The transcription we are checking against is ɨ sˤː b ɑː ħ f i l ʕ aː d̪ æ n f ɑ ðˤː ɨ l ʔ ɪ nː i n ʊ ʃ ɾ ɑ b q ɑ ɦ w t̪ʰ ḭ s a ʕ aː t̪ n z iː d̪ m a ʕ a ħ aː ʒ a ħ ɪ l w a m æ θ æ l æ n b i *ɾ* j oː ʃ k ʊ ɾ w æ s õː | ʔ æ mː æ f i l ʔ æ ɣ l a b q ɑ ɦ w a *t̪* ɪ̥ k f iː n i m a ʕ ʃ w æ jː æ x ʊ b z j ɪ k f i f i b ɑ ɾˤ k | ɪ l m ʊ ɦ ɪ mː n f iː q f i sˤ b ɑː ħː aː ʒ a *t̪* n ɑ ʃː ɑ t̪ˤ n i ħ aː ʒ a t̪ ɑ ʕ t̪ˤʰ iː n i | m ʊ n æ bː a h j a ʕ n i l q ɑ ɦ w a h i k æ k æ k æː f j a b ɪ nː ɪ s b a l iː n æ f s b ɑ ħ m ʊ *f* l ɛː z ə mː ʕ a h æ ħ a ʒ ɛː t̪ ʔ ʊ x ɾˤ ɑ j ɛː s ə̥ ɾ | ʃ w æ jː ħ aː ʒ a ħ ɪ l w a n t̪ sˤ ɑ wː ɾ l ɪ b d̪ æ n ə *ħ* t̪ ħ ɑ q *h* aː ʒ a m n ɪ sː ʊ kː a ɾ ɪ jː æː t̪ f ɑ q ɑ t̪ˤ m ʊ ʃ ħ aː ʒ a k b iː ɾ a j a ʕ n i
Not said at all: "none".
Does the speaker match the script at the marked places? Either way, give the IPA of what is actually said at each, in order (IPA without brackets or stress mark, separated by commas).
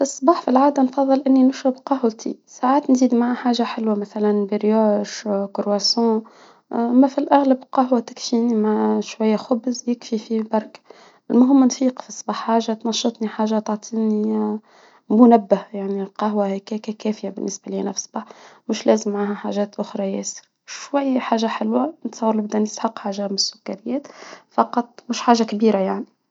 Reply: ɾ, t̪, t̪, ʃ, s, ħ